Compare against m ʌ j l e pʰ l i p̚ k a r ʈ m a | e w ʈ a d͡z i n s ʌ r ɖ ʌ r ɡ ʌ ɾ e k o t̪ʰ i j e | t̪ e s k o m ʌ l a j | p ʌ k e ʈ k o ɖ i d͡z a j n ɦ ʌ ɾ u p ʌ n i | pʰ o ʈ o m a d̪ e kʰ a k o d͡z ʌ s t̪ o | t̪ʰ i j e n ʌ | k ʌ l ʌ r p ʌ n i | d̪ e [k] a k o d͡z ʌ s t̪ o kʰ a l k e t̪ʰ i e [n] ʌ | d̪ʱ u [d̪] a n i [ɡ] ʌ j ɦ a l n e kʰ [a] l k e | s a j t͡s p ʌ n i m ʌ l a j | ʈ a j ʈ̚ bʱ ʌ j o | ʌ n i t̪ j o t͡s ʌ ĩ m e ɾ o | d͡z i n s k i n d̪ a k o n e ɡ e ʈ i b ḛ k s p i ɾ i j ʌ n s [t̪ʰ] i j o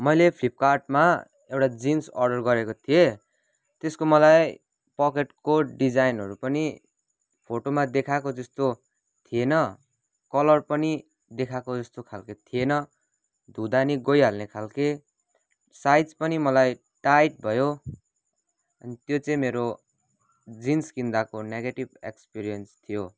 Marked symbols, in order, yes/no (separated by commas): no, yes, yes, yes, yes, yes